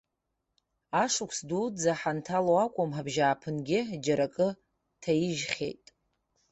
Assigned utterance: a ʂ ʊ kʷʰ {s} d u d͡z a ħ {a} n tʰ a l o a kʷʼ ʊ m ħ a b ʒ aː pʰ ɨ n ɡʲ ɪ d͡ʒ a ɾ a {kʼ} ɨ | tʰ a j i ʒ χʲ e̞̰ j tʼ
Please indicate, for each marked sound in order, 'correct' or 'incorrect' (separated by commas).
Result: correct, correct, correct